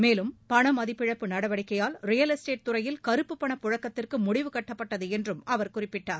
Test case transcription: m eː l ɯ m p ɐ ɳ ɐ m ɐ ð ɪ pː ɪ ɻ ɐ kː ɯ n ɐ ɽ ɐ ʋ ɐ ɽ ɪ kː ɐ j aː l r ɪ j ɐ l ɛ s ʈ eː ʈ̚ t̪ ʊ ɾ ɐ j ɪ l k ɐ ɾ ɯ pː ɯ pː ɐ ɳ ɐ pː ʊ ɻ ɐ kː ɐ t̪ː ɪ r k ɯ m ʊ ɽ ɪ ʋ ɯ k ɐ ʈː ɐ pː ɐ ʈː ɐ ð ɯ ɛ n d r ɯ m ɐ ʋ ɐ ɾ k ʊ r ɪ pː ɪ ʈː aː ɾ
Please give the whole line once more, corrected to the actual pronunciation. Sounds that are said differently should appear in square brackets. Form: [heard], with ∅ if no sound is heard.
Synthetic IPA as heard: m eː l ɯ m p ɐ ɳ ɐ m ɐ ð ɪ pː ɪ ɻ ɐ [pː] ɯ n ɐ ɽ ɐ ʋ ɐ ɽ ɪ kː ɐ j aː l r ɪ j ɐ l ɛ s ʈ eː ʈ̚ t̪ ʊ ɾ ɐ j ɪ l k ɐ ɾ ɯ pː ɯ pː ɐ ɳ ɐ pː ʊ ɻ ɐ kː ɐ t̪ː ɪ r k ɯ m ʊ ɽ ɪ ʋ ɯ k ɐ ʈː ɐ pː ɐ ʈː ɐ ð ɯ ɛ n d r ɯ m ɐ ʋ ɐ ɾ k ʊ r ɪ pː ɪ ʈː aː ɾ